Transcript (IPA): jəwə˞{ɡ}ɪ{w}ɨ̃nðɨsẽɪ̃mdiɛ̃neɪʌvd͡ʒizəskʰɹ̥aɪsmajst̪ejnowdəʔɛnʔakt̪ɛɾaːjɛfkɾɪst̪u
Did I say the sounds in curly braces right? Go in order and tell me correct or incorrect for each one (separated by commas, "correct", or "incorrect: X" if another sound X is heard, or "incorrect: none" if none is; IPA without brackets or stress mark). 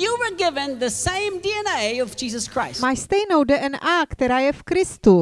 correct, incorrect: v